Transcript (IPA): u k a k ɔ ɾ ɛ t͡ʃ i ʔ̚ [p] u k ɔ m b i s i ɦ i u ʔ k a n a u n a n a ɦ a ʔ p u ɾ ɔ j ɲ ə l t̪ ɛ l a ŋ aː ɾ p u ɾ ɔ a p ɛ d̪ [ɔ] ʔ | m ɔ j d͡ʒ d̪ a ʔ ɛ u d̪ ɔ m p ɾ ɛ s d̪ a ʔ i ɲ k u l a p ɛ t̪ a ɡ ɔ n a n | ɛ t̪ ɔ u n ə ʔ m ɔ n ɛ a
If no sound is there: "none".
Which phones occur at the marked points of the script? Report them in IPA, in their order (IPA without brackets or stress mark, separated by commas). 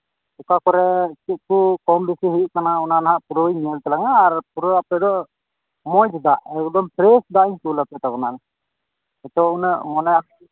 k, ɔ